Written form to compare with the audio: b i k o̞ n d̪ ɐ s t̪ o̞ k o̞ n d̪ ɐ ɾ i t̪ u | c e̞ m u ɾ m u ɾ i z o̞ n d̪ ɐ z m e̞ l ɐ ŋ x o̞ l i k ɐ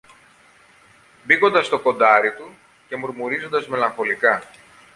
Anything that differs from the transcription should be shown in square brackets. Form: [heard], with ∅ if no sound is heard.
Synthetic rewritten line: b i k o̞ n d̪ ɐ s t̪ o̞ k o̞ n d̪ ɐ ɾ i t̪ u | c e̞ m u ɾ m u ɾ i z o̞ n d̪ ɐ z m e̞ l ɐ ŋ x o̞ l i k ɐ